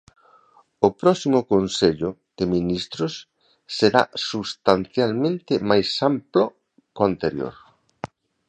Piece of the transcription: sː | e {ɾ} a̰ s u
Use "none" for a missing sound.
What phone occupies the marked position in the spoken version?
ɾ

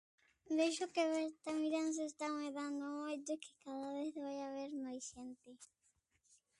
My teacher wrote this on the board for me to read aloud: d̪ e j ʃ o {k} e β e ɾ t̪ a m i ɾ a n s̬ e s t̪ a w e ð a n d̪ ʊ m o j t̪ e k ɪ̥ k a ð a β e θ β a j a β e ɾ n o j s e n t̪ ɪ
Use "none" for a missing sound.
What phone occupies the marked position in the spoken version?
k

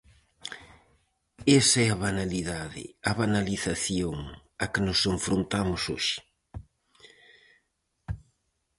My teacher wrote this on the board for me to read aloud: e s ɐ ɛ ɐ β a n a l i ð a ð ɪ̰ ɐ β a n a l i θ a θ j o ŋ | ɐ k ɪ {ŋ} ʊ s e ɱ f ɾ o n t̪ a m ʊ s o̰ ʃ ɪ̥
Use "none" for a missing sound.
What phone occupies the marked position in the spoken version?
n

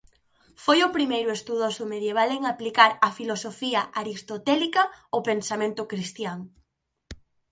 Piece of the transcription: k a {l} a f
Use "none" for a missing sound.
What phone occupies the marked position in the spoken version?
ɾ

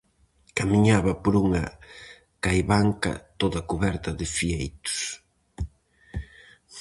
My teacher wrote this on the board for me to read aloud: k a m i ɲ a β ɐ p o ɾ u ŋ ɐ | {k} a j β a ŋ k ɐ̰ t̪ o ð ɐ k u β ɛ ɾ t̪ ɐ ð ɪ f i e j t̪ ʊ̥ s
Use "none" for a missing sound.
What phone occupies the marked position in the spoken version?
k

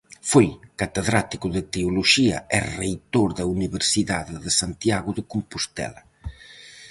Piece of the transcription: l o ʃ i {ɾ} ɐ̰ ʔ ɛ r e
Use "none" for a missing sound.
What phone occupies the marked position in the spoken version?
none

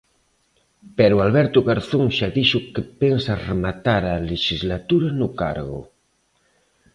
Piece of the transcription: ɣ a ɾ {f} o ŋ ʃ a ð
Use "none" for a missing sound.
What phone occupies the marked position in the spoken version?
θ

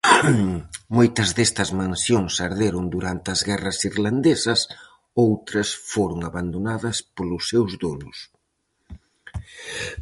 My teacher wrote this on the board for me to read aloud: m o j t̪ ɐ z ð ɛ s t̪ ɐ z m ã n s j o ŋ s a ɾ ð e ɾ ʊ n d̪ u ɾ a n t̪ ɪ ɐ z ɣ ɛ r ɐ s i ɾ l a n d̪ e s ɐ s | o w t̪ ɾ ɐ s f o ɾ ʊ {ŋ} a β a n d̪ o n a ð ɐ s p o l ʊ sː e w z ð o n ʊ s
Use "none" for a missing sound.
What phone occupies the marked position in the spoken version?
ŋ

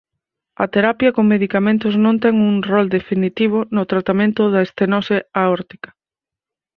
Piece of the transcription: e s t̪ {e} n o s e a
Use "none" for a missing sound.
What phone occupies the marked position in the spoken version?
e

